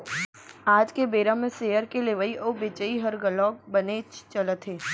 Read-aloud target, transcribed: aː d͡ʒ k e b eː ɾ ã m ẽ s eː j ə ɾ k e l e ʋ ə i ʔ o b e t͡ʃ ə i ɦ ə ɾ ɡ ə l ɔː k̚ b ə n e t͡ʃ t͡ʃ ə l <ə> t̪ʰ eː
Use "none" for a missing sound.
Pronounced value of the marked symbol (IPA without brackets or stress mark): ə